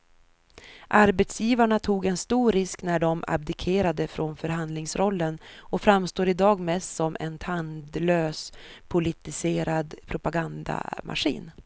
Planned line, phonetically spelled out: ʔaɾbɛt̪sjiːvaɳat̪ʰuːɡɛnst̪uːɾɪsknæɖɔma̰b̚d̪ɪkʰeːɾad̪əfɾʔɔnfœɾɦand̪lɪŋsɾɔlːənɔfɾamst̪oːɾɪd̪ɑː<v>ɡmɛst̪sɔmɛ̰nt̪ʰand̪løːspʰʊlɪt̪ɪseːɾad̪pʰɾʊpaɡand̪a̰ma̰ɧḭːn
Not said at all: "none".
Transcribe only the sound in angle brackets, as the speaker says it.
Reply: none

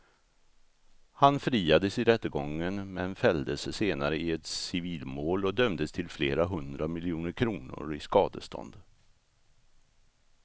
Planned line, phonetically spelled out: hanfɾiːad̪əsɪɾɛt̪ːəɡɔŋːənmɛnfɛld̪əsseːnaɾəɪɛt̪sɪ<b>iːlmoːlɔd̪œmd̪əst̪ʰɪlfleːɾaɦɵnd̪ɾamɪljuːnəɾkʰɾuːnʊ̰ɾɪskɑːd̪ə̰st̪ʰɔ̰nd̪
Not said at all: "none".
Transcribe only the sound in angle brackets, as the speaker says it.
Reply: v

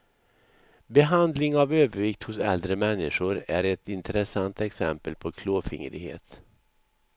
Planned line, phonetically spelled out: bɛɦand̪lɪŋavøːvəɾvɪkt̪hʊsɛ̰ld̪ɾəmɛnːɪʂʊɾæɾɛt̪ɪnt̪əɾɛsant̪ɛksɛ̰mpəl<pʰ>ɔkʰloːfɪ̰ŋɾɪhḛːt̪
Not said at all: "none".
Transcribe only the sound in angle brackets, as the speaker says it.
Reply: pʰ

